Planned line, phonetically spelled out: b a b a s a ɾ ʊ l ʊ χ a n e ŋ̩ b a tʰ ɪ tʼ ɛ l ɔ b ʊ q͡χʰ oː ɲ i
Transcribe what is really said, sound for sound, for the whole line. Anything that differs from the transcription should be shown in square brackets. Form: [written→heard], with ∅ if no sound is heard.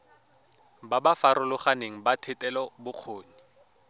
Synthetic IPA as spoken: b a b a [s→f] a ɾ ʊ l ʊ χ a n e ŋ̩ b a tʰ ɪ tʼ ɛ l ɔ b ʊ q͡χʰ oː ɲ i